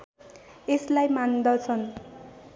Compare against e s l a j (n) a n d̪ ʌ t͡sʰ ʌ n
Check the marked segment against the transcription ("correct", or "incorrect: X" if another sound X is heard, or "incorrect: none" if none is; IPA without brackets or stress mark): incorrect: m